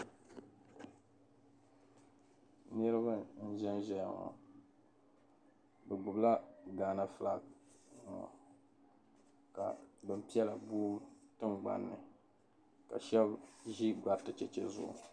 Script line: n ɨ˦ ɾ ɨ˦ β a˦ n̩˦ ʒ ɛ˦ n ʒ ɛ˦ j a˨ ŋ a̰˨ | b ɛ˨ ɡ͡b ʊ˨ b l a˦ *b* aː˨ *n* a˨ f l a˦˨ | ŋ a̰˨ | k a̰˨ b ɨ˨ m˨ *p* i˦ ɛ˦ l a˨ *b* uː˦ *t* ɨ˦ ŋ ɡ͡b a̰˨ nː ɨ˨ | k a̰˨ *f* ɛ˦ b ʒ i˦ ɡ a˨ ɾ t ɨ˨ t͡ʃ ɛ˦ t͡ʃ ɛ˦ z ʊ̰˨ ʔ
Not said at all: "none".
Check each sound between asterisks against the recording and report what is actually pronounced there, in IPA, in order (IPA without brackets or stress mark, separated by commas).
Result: ɡ, n, p, b, t, ʃ